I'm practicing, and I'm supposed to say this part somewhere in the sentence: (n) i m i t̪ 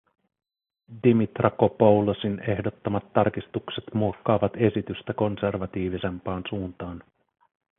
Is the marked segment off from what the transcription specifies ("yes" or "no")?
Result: yes